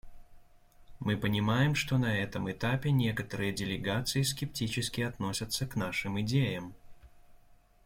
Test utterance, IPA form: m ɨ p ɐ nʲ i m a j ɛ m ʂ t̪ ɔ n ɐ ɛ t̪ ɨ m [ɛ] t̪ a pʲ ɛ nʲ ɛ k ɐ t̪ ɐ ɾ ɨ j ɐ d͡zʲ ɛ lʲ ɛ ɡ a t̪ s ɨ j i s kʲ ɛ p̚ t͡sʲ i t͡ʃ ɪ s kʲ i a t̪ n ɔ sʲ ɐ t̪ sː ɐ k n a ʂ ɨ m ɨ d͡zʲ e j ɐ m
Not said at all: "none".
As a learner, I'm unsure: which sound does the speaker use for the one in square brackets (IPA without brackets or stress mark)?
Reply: ɛ